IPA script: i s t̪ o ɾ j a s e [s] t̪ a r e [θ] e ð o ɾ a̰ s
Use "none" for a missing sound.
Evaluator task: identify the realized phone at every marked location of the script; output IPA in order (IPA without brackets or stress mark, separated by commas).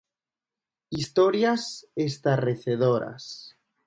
s, θ